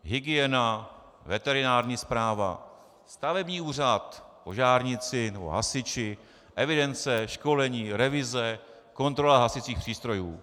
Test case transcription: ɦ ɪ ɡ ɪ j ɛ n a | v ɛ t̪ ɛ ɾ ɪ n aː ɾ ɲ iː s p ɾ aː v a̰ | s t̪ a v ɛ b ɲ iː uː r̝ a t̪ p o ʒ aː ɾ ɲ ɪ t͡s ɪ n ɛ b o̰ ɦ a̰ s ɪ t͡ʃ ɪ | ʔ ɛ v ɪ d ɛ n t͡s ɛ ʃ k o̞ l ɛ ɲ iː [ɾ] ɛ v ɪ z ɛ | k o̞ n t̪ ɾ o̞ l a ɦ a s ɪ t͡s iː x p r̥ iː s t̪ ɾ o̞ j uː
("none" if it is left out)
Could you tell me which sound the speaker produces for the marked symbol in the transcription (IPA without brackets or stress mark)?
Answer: ɾ